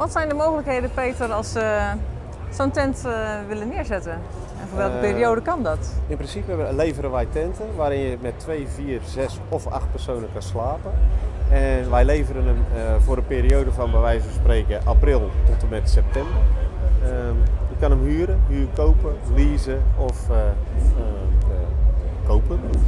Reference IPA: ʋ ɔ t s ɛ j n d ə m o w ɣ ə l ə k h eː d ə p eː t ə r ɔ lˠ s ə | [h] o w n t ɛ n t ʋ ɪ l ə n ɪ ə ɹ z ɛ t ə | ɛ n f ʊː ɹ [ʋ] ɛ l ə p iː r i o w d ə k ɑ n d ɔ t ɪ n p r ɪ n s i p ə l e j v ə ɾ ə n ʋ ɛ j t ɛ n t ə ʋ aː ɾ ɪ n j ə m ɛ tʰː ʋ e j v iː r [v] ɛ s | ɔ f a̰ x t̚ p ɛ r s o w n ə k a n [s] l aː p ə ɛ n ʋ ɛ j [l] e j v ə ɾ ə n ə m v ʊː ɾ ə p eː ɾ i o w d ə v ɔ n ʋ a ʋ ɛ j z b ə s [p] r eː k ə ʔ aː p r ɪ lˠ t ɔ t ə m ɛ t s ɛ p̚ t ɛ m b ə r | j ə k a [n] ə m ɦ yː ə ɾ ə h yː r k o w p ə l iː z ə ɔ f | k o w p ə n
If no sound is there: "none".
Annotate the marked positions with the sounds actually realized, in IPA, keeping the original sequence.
s, ʋ, z, s, l, p, n

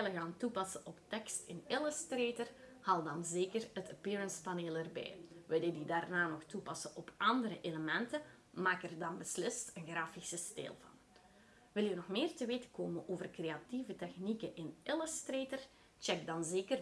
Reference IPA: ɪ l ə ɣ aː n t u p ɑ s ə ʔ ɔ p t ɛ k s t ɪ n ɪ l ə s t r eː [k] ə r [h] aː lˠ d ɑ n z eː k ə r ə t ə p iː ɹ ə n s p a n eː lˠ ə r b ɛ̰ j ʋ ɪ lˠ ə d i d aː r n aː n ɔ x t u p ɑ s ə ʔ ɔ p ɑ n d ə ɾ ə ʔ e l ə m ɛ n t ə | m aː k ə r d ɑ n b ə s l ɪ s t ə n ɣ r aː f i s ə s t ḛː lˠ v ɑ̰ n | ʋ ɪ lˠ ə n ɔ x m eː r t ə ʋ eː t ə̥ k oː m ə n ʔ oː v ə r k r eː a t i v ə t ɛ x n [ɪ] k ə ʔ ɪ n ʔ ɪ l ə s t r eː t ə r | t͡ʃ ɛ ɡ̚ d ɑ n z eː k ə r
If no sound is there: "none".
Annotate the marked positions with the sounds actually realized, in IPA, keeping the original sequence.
t, h, i

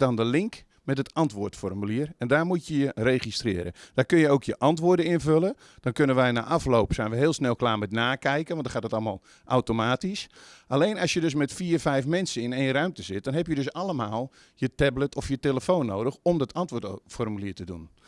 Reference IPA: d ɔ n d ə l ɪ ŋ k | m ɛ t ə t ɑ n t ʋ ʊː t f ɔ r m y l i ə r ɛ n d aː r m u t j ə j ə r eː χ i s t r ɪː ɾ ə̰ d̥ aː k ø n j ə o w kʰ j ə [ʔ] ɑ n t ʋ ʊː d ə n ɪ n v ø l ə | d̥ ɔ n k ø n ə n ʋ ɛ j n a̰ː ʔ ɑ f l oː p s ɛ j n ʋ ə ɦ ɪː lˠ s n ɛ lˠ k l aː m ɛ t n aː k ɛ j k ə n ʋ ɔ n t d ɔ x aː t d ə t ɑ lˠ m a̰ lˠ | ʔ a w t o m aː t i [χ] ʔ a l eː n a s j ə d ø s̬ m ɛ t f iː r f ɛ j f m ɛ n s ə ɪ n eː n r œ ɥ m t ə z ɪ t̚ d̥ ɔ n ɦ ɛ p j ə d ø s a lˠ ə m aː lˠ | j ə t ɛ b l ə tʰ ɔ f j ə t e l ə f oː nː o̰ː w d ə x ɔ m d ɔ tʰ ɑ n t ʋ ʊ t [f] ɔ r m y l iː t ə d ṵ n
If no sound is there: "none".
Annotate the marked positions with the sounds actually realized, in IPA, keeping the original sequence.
ʔ, s, f

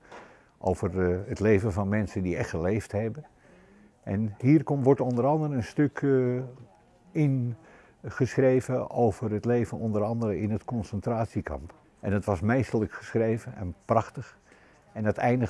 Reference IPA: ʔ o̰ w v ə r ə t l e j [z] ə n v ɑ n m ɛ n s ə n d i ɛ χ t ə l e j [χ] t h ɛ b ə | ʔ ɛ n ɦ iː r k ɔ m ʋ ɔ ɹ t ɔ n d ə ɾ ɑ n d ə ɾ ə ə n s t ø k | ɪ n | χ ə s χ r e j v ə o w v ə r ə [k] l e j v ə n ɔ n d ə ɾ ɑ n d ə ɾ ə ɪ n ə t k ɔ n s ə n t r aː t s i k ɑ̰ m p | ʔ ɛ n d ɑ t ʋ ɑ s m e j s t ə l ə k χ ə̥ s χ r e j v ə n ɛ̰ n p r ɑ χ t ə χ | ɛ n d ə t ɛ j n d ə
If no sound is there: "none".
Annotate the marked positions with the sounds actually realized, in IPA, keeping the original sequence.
v, f, t

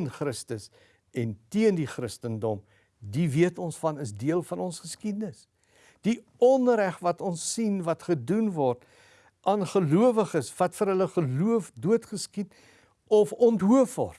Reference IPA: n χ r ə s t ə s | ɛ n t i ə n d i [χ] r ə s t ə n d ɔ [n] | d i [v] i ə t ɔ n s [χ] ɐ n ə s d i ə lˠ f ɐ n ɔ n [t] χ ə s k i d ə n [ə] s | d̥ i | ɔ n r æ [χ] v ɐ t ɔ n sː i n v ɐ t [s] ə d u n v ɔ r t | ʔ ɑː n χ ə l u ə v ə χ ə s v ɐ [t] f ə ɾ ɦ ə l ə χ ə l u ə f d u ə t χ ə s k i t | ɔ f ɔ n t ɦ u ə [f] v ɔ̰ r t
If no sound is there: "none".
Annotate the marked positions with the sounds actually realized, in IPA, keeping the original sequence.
χ, m, v, f, s, ə, χ, χ, t, f

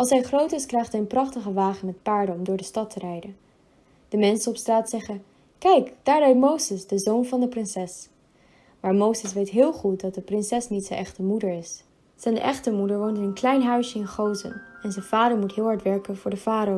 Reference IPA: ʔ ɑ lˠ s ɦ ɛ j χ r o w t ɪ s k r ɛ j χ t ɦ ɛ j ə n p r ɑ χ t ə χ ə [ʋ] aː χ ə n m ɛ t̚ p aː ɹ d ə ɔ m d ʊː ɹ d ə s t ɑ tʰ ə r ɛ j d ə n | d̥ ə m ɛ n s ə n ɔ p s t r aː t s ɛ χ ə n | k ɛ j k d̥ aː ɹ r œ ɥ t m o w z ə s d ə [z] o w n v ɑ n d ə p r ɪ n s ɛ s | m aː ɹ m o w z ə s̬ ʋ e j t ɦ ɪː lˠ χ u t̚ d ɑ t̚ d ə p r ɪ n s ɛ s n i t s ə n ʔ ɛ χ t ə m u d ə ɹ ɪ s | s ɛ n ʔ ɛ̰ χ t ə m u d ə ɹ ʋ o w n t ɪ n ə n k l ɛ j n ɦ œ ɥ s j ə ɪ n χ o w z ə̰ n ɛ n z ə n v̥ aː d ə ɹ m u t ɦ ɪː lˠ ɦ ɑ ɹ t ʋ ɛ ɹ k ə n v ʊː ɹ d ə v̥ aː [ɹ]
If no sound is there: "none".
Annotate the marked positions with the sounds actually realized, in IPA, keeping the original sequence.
ʋ, z, ɾ

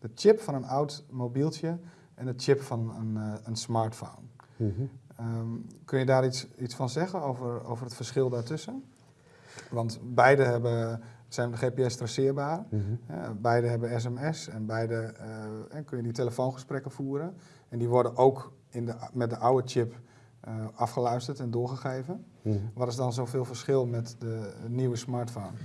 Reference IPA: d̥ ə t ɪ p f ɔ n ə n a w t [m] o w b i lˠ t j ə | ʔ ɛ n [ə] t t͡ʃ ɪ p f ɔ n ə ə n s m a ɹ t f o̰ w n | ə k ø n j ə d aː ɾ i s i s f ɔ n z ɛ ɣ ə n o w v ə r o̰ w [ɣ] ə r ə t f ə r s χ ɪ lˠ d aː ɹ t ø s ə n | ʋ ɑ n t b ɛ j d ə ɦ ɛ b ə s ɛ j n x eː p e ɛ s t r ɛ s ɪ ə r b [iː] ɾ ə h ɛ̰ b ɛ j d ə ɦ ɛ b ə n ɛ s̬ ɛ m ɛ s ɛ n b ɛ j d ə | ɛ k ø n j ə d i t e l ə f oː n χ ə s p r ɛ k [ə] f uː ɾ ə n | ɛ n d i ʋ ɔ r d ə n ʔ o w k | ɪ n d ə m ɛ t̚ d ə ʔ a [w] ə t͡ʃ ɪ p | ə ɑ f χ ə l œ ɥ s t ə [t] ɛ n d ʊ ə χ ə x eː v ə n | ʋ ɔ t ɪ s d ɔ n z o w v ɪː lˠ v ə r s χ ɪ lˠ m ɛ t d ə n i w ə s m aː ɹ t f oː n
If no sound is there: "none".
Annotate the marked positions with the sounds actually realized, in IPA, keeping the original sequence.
m, ə, v, aː, ə, w, t

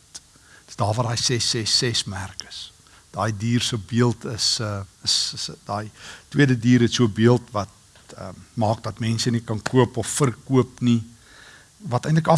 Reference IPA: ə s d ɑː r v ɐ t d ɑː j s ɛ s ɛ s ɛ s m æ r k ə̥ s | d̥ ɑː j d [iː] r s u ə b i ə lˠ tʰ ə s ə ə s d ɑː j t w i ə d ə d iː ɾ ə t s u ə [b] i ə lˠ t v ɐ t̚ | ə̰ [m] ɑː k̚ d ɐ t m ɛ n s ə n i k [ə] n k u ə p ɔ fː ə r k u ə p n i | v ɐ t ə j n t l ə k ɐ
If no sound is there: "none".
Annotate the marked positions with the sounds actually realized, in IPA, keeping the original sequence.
iː, b, m, ɐ

